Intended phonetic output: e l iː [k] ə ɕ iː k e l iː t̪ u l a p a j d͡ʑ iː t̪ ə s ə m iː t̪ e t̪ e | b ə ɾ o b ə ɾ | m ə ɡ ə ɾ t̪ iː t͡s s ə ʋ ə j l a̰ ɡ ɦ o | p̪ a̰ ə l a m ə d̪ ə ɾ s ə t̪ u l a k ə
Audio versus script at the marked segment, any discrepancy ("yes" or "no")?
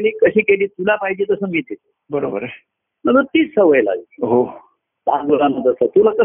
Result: no